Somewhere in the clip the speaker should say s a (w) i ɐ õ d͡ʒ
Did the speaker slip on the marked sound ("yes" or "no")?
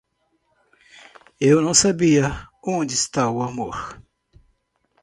yes